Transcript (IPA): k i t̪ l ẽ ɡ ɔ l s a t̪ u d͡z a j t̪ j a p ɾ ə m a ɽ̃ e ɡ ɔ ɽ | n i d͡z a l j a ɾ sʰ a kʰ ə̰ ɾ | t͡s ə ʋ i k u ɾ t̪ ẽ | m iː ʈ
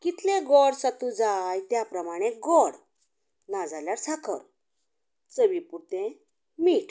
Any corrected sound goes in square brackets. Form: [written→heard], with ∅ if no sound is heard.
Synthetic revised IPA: k i t̪ l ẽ ɡ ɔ [l→ɽ] s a t̪ u d͡z a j t̪ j a p ɾ ə m a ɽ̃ e ɡ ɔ ɽ | n [i→a] d͡z a l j a ɾ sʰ a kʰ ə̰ ɾ | t͡s ə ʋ i [k→p] u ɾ t̪ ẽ | m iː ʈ